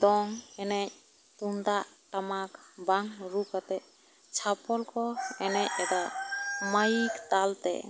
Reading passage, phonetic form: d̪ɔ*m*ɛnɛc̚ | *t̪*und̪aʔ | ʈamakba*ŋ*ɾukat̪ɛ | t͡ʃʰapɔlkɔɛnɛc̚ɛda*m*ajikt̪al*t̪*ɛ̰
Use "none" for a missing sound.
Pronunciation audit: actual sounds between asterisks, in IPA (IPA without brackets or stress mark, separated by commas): ŋ, t̪, ŋ, m, t̪